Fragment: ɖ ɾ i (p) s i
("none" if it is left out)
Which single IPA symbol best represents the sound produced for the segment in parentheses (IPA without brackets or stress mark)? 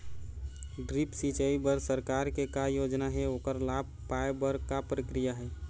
p